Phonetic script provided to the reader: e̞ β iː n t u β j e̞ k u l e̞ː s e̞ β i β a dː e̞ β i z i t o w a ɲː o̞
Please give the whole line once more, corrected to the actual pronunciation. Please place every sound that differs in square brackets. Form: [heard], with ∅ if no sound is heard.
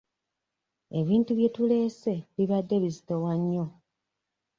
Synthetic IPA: e̞ β iː n t u β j e̞ [t] u l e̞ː s e̞ β i β a dː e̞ β i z i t o w a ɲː o̞